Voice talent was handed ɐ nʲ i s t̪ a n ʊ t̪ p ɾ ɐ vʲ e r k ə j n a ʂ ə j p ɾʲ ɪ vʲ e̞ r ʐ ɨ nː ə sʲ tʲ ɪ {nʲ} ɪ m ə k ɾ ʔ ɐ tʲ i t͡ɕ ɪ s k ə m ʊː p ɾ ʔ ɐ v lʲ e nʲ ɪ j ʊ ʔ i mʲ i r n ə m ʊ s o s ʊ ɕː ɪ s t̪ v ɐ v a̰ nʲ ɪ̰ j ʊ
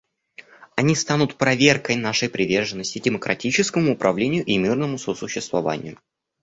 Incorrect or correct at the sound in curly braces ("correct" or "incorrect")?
incorrect